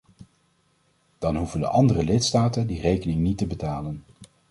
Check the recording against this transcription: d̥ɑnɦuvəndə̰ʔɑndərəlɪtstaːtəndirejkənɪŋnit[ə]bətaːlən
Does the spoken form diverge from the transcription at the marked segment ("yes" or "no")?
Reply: no